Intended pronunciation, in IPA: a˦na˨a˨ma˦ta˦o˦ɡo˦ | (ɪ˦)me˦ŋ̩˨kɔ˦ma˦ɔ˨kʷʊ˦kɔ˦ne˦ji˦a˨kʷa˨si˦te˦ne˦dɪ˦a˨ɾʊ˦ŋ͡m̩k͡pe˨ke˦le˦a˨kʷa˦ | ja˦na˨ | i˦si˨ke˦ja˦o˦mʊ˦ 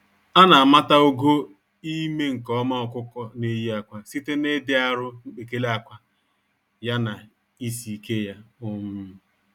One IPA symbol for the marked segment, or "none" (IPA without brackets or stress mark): i˦